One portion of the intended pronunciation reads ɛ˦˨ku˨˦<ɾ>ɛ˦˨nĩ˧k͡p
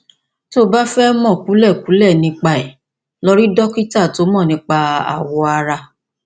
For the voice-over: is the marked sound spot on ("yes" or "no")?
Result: no